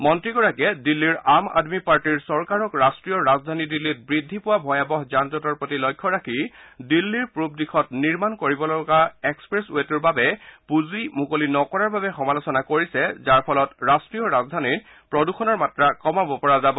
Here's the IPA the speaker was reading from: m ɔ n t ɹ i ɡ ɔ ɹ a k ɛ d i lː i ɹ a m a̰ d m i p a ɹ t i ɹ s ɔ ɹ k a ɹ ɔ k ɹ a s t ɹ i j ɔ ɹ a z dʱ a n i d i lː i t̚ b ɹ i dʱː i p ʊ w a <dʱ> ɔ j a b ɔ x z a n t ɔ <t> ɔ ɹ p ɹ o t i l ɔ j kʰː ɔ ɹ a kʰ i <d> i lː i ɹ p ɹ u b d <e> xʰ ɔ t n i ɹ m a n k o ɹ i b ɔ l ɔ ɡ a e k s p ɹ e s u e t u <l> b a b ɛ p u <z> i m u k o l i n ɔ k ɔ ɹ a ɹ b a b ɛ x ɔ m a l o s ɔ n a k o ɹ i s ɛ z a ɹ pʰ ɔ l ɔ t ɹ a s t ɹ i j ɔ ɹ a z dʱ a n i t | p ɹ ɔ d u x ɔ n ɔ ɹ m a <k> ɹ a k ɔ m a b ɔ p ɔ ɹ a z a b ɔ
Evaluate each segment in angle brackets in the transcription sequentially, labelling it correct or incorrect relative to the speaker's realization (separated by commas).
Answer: incorrect, correct, correct, incorrect, incorrect, correct, incorrect